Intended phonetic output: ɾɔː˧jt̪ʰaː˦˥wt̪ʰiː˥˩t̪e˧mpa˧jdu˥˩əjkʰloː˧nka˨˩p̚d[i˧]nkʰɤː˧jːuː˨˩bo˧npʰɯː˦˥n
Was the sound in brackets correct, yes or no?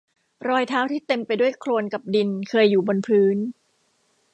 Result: yes